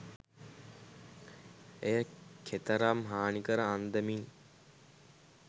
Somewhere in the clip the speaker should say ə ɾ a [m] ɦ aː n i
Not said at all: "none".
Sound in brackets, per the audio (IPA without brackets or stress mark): m